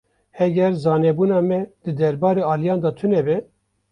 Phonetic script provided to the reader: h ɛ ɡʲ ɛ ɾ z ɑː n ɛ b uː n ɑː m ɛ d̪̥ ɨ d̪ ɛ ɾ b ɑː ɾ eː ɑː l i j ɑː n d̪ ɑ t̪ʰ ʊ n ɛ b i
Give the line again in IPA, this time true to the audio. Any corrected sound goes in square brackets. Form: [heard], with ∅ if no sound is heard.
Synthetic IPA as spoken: h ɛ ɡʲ ɛ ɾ z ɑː n ɛ b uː n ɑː m ɛ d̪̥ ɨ d̪ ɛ ɾ b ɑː ɾ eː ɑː l i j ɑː n d̪ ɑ t̪ʰ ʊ n ɛ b [ɛ]